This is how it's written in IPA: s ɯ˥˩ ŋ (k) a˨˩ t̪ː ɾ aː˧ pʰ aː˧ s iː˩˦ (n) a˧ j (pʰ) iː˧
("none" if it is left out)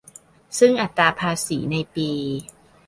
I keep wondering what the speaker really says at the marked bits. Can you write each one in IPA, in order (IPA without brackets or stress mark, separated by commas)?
ʔ, n, p